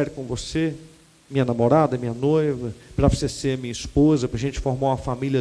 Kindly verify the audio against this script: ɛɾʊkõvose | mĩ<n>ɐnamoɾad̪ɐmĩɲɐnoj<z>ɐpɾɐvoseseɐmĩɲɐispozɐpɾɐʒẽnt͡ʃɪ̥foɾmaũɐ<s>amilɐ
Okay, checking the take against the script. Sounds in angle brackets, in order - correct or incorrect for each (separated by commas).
incorrect, incorrect, incorrect